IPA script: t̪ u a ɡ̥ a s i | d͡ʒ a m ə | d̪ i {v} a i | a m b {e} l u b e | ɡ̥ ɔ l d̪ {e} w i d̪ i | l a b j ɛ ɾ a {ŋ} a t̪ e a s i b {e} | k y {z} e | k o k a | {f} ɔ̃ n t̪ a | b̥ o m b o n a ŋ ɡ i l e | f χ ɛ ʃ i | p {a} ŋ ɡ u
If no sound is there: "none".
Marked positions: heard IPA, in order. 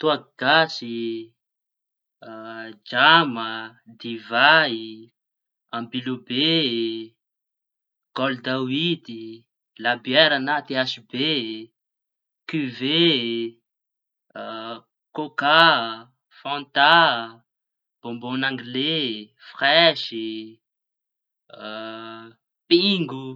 v, i, a, n, e, v, f, i

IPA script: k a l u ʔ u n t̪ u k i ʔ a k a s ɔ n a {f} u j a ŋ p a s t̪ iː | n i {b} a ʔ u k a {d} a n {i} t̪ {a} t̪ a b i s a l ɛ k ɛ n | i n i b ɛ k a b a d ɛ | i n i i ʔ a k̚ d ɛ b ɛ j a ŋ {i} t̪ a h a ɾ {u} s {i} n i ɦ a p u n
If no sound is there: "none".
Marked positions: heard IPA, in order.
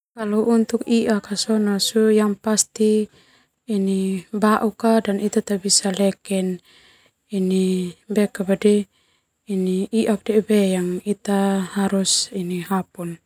s, b, d, i, a, i, u, i

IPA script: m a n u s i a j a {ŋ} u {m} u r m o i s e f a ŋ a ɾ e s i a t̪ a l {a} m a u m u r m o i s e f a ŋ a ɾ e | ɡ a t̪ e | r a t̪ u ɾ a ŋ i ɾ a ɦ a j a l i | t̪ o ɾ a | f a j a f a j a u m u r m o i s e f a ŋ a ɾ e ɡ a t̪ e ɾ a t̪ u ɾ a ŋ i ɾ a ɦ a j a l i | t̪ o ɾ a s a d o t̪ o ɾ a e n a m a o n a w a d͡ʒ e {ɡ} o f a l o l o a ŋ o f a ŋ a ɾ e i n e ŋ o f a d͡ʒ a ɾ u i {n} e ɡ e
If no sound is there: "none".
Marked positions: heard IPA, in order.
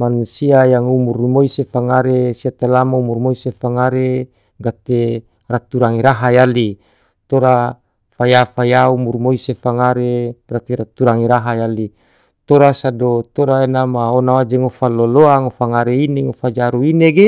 ŋ, m, a, ŋ, n

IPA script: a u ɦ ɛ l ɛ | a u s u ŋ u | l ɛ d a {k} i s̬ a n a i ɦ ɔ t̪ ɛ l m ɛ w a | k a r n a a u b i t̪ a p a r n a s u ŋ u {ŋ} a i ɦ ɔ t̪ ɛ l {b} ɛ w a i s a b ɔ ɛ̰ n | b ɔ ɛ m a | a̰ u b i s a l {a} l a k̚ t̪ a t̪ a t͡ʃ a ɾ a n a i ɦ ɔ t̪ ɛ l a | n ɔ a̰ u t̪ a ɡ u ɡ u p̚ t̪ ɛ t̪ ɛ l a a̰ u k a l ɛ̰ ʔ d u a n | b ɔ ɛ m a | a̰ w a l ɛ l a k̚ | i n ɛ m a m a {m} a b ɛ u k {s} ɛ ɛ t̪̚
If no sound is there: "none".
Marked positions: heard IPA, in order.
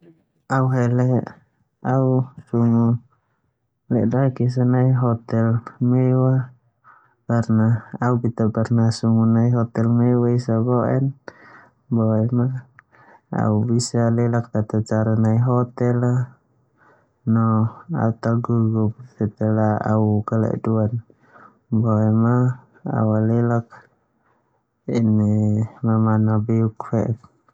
k, n, m, ɛ, n, f

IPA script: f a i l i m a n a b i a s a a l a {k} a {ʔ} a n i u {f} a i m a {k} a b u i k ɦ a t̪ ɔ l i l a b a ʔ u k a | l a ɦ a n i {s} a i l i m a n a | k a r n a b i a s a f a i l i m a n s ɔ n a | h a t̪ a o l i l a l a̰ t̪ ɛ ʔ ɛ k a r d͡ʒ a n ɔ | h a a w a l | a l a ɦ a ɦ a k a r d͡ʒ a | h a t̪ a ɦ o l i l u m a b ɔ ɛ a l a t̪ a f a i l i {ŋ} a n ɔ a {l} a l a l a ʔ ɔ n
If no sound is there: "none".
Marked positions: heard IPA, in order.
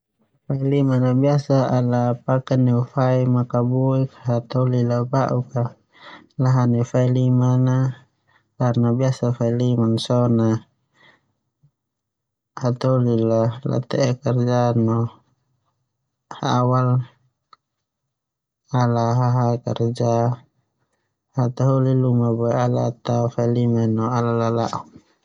p, k, f, k, f, m, l

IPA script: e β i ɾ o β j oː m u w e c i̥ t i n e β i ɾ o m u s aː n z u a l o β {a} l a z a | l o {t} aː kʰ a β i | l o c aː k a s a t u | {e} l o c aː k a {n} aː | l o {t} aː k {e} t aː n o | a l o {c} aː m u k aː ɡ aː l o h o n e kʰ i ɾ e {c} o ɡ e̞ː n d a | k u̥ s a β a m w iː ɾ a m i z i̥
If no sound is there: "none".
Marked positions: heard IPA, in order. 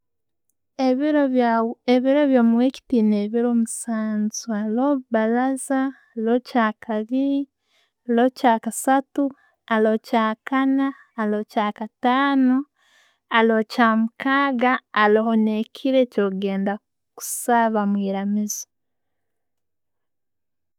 a, c, a, n, c, a, c, c

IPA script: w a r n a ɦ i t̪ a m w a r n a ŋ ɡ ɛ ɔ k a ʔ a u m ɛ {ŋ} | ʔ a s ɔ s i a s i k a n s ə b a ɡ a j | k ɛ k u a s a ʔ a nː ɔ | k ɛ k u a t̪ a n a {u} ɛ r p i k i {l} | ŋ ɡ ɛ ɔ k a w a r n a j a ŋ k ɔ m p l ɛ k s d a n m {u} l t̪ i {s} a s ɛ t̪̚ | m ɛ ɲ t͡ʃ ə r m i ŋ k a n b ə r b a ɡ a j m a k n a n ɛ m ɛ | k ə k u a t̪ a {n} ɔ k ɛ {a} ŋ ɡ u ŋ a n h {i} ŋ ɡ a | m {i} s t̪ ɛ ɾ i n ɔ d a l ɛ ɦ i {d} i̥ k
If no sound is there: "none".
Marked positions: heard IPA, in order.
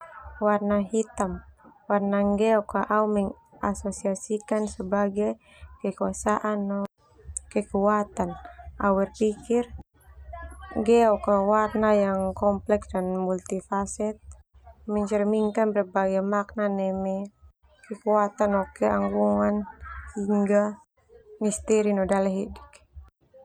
ŋ, w, r, u, f, n, a, i, i, d

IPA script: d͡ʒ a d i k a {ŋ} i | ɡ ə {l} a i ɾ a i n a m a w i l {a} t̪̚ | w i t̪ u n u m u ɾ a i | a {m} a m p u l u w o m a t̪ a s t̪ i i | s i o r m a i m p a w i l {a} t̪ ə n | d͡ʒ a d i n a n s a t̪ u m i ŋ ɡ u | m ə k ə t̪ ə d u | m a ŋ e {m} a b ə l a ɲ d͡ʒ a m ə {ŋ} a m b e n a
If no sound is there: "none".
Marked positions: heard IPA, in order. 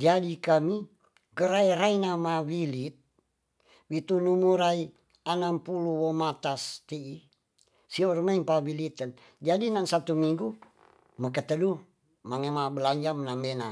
m, ɾ, i, n, i, m, n

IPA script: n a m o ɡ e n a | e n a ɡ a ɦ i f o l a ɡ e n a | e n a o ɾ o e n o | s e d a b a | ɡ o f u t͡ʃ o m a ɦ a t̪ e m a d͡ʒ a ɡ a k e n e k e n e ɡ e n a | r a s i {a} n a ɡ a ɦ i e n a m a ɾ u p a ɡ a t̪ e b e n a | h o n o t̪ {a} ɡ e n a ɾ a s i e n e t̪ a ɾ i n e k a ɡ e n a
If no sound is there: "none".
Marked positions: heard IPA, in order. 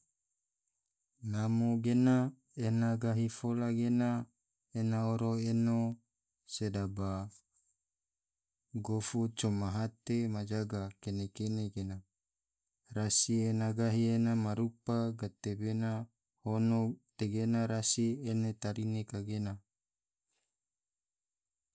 e, e

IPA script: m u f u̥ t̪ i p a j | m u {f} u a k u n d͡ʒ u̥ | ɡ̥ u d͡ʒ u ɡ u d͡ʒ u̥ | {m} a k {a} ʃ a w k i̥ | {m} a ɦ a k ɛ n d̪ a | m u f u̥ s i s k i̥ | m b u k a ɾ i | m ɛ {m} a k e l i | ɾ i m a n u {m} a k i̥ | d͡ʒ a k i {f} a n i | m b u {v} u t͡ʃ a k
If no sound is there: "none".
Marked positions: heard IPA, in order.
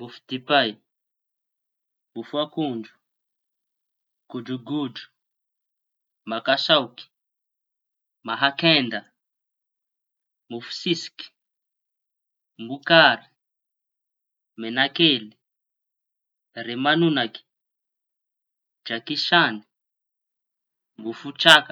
f, m, a, m, n, n, ʃ, f

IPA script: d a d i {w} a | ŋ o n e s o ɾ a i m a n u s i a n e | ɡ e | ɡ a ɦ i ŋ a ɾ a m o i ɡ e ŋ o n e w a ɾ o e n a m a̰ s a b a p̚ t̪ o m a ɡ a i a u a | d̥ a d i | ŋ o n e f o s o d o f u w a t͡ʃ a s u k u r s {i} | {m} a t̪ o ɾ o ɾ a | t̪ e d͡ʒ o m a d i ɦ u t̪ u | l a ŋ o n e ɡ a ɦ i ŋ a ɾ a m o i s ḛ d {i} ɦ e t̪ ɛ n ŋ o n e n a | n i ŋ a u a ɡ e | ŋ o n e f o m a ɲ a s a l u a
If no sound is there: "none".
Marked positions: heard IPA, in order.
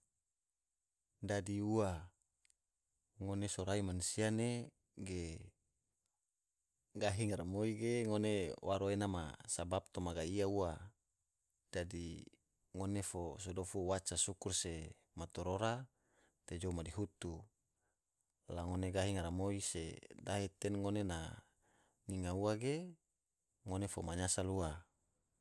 u, e, m, a

